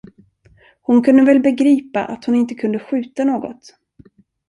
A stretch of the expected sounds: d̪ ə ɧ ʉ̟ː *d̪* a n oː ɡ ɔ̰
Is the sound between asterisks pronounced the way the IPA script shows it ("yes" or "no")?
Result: no